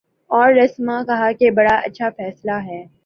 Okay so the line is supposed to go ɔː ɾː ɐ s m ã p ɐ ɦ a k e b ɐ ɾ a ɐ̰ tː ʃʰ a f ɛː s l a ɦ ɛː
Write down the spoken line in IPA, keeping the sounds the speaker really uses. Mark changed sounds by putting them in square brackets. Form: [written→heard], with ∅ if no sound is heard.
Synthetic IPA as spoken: ɔː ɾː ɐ s m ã [p→k] ɐ ɦ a k e b ɐ [ɾ→ɽ] a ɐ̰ tː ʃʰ a f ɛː s l a ɦ ɛː

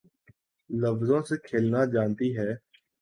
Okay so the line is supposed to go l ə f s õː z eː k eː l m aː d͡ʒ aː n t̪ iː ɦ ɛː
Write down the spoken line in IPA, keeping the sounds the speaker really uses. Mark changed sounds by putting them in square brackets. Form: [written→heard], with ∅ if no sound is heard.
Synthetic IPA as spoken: l ə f [s→z] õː [z→s] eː [k→kʰ] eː l [m→n] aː d͡ʒ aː n t̪ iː ɦ ɛː

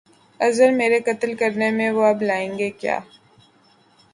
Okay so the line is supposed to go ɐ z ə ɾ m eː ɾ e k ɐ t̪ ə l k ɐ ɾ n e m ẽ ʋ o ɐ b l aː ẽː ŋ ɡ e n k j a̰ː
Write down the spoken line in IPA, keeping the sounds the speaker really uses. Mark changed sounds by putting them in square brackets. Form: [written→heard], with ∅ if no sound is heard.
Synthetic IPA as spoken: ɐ z ə ɾ m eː ɾ e k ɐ t̪ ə l k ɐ ɾ n e m ẽ ʋ o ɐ b l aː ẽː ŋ ɡ e [n→∅] k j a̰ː

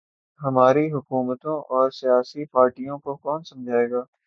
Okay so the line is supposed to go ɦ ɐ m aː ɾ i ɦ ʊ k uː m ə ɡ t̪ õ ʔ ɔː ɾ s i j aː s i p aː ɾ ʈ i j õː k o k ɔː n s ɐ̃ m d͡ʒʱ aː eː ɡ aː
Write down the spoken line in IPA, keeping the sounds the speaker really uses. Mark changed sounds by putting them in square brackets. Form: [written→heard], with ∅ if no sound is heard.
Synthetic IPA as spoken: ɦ ɐ m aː ɾ i ɦ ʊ k uː m ə [ɡ→∅] t̪ õ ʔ ɔː ɾ s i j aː s i p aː ɾ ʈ i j [õː→õ] k o k ɔː n s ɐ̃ m d͡ʒʱ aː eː ɡ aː

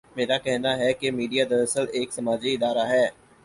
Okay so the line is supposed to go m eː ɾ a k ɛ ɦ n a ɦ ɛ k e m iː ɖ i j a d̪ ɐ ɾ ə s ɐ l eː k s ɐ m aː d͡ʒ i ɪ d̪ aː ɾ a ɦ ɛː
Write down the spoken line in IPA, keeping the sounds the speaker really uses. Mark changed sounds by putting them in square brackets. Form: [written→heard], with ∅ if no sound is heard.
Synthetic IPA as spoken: m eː ɾ a k ɛ ɦ n a ɦ ɛ k e m iː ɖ i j a d̪ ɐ ɾ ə s [ɐ→ə] l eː k s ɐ m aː d͡ʒ i ɪ d̪ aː ɾ a ɦ ɛː

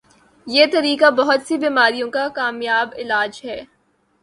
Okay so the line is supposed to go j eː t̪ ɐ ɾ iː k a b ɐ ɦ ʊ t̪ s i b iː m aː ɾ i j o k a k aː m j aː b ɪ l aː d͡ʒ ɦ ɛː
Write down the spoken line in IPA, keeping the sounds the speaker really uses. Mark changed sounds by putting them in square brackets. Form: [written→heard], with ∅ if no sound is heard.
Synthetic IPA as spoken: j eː t̪ ɐ ɾ iː k a b ɐ ɦ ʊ t̪ s i b iː m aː ɾ i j [o→õ] k a k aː m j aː b ɪ l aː d͡ʒ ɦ ɛː

